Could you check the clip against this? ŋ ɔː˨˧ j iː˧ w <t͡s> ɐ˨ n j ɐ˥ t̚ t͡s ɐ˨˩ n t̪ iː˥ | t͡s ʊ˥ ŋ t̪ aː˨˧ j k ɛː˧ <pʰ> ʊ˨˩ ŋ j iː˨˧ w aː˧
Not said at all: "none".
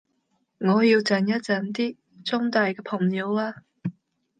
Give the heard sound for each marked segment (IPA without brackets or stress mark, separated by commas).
t͡s, pʰ